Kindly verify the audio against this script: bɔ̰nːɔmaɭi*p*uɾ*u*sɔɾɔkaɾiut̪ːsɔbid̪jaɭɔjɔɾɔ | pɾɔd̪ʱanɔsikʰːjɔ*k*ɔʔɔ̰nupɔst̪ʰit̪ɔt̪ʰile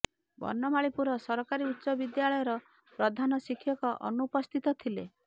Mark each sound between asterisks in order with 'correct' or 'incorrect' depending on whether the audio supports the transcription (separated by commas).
correct, incorrect, correct